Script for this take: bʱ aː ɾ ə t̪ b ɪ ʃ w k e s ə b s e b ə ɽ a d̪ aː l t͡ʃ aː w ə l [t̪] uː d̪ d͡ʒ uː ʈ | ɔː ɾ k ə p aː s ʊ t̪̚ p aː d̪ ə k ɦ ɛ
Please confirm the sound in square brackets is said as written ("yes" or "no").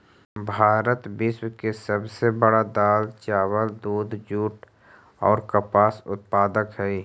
no